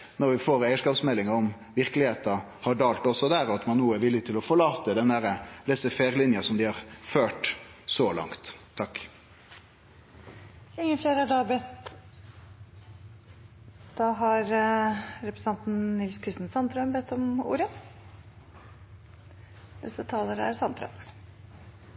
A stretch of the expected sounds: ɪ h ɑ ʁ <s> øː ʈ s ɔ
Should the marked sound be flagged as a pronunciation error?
yes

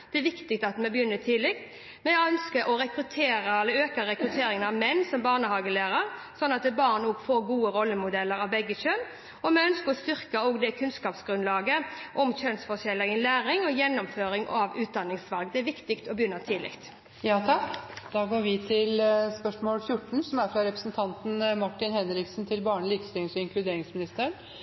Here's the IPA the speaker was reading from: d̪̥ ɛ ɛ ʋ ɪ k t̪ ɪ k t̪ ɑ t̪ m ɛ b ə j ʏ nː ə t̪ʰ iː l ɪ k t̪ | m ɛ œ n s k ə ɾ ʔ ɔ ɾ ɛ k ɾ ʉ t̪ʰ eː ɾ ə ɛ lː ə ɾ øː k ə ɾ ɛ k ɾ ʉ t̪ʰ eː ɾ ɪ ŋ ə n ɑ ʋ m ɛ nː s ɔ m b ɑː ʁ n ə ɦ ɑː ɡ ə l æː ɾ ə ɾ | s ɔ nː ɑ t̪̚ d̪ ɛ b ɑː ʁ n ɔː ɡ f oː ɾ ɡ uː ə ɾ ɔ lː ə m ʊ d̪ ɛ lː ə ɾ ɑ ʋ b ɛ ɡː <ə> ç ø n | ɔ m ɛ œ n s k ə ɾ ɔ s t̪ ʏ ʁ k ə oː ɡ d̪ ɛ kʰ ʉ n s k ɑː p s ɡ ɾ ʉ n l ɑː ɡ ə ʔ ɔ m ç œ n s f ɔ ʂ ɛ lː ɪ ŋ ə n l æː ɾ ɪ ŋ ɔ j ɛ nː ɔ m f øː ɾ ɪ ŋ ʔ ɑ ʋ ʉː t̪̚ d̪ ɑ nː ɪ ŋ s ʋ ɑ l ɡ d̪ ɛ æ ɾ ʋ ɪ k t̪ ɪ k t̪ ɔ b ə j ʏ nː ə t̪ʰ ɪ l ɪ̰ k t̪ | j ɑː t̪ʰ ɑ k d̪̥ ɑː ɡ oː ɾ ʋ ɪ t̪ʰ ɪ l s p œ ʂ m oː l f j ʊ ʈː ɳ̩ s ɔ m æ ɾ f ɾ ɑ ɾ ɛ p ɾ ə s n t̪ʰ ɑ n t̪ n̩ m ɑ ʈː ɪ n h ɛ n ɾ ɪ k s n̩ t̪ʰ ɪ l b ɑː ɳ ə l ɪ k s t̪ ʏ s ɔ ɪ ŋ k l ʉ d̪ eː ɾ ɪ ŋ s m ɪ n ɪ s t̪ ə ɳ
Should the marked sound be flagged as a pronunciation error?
no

